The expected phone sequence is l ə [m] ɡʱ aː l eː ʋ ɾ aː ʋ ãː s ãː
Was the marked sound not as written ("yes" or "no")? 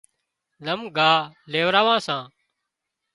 no